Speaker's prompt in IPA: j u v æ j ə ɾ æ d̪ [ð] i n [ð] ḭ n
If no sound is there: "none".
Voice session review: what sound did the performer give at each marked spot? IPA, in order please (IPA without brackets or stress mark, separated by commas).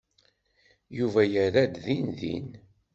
ð, ð